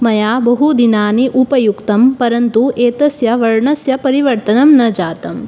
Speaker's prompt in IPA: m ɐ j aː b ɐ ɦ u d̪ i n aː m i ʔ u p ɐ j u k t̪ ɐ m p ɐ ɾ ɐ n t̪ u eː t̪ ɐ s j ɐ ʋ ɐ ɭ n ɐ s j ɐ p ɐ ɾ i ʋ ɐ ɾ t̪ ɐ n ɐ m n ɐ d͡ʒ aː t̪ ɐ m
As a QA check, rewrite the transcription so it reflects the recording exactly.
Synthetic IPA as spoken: m ɐ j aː b ɐ ɦ u d̪ i n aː n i ʔ u p ɐ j u k t̪ ɐ m p ɐ ɾ ɐ n t̪ u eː t̪ ɐ s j ɐ ʋ ɐ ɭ ɳ ɐ s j ɐ p ɐ ɾ i ʋ ɐ ɾ t̪ ɐ n ɐ m n ɐ d͡ʒ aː t̪ ɐ m